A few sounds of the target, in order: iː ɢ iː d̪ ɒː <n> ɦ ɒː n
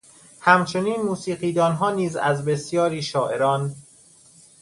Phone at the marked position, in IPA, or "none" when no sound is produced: n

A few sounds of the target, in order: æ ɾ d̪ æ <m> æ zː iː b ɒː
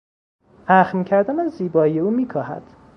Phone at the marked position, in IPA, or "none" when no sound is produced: n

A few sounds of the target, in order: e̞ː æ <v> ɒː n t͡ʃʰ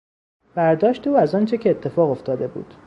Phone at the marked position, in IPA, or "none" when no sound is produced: z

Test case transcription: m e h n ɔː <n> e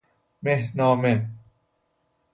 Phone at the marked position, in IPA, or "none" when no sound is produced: m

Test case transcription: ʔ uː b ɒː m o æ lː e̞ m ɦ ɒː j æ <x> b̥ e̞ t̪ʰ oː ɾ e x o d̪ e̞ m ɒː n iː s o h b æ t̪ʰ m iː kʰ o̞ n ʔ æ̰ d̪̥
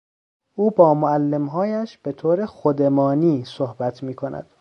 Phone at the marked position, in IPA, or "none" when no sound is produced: ʃ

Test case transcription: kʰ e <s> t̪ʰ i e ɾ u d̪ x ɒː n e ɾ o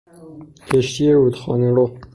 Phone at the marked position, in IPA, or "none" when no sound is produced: ʃ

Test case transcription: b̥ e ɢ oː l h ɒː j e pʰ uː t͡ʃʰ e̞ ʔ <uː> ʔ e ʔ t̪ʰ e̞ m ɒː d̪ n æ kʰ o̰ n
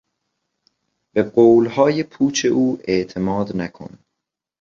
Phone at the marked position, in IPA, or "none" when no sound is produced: uː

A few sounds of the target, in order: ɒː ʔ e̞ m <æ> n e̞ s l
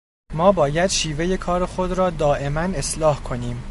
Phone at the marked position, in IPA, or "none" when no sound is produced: æ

